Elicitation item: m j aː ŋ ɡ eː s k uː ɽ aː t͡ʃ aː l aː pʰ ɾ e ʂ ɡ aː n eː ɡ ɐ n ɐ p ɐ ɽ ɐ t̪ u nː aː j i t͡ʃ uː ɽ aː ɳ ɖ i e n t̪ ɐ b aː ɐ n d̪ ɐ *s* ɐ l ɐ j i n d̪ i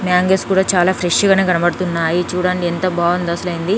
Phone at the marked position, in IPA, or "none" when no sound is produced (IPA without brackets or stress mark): s